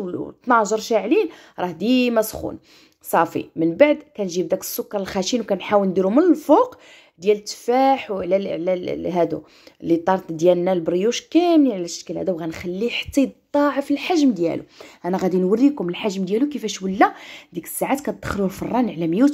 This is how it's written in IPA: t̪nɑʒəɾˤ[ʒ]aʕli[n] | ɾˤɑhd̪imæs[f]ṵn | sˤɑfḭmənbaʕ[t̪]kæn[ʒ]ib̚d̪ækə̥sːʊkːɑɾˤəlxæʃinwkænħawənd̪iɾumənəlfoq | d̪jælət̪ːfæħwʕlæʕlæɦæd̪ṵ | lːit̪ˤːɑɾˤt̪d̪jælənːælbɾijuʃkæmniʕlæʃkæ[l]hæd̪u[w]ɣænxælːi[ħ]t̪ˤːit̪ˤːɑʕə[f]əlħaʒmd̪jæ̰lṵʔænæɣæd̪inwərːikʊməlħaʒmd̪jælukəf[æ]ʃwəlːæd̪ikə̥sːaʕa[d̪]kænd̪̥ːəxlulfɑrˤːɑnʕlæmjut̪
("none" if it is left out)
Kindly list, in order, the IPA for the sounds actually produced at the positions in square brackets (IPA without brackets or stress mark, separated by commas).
ʃ, n, x, d̪, ʒ, l, w, ħ, f, æ, t̪